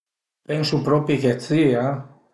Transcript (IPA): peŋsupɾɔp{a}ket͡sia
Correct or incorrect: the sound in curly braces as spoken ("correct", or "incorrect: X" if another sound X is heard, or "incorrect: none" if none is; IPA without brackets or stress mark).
incorrect: i